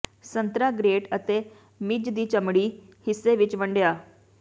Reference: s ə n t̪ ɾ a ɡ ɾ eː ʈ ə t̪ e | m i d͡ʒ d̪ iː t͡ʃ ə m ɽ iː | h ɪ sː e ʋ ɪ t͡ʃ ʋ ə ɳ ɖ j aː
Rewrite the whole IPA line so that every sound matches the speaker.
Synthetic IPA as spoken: s ə n t̪ ɾ a ɡ ɾ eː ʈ ə t̪ e | m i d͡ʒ d̪ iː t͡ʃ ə m ɽ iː | h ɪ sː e ʋ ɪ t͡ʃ ʋ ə ɳ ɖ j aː

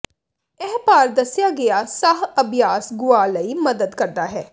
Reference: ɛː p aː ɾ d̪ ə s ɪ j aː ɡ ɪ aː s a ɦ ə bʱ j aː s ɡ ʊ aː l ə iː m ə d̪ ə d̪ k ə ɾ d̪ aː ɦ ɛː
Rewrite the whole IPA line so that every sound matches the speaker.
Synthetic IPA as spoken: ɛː p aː ɾ d̪ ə s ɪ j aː ɡ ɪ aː s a ɦ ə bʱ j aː s ɡ ʊ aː l ə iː m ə d̪ ə d̪ k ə ɾ d̪ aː ɦ ɛː

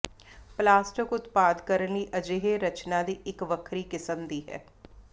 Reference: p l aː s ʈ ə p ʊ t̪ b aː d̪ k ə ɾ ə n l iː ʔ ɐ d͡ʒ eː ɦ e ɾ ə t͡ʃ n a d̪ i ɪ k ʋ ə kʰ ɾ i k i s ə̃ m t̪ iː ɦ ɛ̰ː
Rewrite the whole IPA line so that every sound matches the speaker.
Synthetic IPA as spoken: p l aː s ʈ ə k ʊ t̪ p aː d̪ k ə ɾ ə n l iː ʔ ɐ d͡ʒ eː ɦ e ɾ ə t͡ʃ n a d̪ i ɪ k ʋ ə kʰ ɾ i k ɪ s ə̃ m d̪ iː ɦ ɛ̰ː

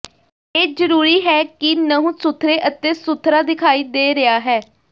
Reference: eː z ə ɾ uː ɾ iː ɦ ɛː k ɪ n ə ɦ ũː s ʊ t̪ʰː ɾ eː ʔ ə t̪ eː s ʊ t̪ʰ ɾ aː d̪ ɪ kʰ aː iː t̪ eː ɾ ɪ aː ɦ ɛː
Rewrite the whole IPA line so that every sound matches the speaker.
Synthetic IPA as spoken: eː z ə ɾ uː ɾ iː ɦ ɛː k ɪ n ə ɦ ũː s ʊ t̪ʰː ɾ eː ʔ ə t̪ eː s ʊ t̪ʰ ɾ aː d̪ ɪ kʰ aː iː d̪ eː ɾ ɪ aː ɦ ɛː

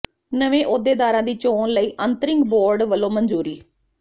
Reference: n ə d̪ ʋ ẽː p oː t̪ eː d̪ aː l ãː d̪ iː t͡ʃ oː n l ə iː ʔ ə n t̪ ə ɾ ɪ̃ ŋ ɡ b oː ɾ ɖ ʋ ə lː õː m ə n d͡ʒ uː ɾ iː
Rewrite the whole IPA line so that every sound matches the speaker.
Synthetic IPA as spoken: n ə ʋ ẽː ʔ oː d̪ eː d̪ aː ɾ ãː d̪ iː t͡ʃ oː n l ə iː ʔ ə n t̪ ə ɾ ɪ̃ ŋ ɡ b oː ɾ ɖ ʋ ə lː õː m ə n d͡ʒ uː ɾ iː

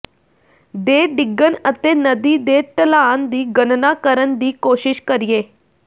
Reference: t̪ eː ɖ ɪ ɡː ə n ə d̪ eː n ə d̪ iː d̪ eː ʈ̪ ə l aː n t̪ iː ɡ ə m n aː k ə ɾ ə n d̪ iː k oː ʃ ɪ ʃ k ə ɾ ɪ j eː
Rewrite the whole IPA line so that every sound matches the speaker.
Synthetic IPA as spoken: d̪ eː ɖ ɪ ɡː ə n ə t̪ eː n ə d̪ iː d̪ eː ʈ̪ ə l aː n d̪ iː ɡ ə n n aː k ə ɾ ə n d̪ iː k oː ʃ ɪ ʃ k ə ɾ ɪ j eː

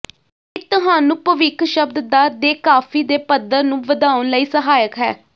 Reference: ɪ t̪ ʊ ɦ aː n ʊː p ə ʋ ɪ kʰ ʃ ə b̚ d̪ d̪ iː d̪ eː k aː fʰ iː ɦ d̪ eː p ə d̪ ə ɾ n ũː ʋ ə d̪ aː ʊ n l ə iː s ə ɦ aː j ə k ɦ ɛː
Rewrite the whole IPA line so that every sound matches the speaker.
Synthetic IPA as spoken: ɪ t̪ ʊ ɦ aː n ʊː p ə ʋ ɪ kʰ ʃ ə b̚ d̪ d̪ aː d̪ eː k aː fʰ iː d̪ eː p ə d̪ ə ɾ n ũː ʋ ə d̪ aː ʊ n l ə iː s ə ɦ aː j ə k ɦ ɛː

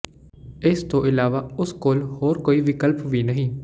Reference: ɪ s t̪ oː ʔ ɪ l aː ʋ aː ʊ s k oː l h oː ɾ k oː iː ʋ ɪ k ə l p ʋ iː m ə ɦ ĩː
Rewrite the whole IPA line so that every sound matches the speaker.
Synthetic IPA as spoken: ɪ s t̪ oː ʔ ɪ l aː ʋ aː ʊ s k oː l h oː ɾ k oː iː ʋ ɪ k ə l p ʋ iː n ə ɦ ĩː

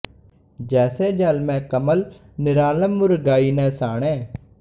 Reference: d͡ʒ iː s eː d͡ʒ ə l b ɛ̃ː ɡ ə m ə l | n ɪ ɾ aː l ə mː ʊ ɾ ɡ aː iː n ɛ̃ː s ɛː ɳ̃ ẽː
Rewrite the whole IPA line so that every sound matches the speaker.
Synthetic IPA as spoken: d͡ʒ ɛː s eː d͡ʒ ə l m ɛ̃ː k ə m ə l | n ɪ ɾ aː l ə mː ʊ ɾ ɡ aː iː n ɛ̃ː s aː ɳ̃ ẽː

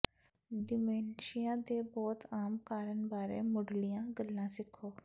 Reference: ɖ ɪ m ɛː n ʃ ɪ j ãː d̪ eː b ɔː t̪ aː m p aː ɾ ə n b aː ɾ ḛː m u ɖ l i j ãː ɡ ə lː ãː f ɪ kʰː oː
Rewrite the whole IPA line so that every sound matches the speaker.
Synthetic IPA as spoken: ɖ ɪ m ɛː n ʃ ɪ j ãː d̪ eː b ɔː t̪ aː m k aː ɾ ə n b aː ɾ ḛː m ʊ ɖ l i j ãː ɡ ə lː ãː s ɪ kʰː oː

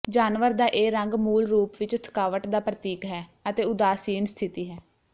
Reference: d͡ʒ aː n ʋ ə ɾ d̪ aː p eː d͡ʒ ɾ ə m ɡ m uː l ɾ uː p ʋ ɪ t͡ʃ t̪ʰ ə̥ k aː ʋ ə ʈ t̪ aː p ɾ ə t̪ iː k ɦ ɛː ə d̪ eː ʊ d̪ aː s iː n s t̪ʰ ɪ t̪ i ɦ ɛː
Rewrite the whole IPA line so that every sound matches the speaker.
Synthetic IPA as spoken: d͡ʒ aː n ʋ ə ɾ d̪ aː ʔ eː ɾ ə ŋ ɡ m uː l ɾ uː p ʋ ɪ t͡ʃ t̪ʰ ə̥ k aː ʋ ə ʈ d̪ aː p ɾ ə t̪ iː k ɦ ɛː ə t̪ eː ʊ d̪ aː s iː n s t̪ʰ ɪ t̪ iː ɦ ɛː

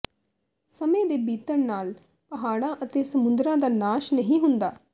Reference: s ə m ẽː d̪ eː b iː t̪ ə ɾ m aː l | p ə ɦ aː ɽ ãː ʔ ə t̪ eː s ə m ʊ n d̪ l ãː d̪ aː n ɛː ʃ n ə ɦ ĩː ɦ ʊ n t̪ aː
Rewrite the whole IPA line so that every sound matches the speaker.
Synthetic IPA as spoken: s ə m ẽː d̪ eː b iː t̪ ə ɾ n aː l | p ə ɦ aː ɽ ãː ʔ ə t̪ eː s ə m ʊ n d̪ ɾ ãː d̪ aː n aː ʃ n ə ɦ ĩː ɦ ʊ n d̪ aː

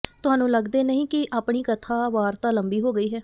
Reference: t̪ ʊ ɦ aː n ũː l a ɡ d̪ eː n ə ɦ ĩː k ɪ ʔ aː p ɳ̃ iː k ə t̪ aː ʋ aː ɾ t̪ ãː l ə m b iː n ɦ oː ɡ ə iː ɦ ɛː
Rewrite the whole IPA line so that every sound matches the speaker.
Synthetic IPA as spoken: t̪ ʊ ɦ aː n ũː l ə ɡ d̪ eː n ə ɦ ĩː k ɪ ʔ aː p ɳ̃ iː k ə t̪ʰ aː ʋ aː ɾ t̪ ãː l ə m b iː ɦ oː ɡ ə iː ɦ ɛː

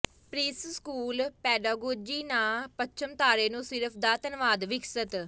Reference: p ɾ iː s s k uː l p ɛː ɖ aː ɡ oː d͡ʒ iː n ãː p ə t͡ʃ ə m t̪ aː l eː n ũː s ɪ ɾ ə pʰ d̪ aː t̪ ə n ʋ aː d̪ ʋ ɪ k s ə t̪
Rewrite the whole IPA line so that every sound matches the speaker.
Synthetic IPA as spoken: p ɾ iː s s k uː l p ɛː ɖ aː ɡ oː d͡ʒ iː n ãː p ə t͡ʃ ə m t̪ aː ɾ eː n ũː s ɪ ɾ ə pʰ d̪ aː t̪ ə n ʋ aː d̪ ʋ ɪ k s ə t̪

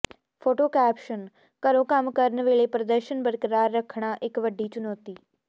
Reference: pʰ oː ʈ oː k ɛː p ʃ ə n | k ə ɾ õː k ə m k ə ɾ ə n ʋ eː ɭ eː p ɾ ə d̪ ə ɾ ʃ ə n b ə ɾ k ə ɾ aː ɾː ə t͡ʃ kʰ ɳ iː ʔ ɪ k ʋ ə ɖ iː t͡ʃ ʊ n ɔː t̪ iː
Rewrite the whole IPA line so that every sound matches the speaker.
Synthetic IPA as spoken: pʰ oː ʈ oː k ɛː p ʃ ə n | k ə ɾ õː k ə m k ə ɾ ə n ʋ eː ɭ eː p ɾ ə d̪ ə ɾ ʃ ə n b ə ɾ k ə ɾ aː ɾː ə kʰ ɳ aː ʔ ɪ k ʋ ə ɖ iː t͡ʃ ʊ n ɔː t̪ iː

